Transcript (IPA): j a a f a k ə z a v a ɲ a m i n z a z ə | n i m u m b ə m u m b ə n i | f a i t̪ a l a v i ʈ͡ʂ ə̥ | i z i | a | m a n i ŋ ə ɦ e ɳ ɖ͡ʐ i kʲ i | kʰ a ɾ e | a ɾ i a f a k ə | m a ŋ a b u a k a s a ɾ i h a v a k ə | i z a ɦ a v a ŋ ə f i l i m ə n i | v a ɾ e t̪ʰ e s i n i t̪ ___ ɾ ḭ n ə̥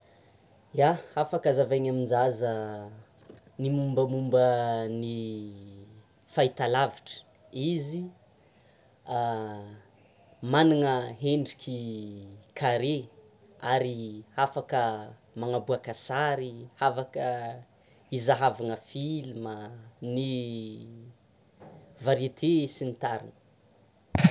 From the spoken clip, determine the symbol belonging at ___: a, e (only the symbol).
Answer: a